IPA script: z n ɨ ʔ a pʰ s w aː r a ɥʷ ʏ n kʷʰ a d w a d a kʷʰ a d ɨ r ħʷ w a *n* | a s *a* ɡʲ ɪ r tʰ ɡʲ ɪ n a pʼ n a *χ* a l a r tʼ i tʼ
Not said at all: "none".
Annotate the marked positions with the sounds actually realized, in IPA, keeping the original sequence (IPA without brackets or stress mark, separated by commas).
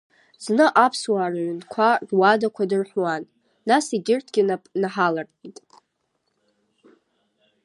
nː, i, ħ